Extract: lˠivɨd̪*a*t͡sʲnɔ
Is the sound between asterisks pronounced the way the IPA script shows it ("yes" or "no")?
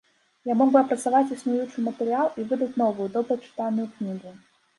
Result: no